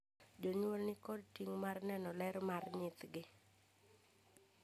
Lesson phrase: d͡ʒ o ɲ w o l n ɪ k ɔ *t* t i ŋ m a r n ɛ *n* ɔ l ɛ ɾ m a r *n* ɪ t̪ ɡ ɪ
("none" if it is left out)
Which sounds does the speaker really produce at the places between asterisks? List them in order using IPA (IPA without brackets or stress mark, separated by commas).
d, n, ɲ